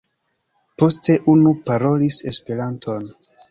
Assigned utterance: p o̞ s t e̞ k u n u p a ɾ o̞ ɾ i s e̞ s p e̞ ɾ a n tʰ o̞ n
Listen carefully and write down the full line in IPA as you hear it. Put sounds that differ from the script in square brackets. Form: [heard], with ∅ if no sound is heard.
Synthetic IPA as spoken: p o̞ s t e̞ [ʔ] u n u p a ɾ o̞ [l] i s e̞ s p e̞ ɾ a n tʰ o̞ n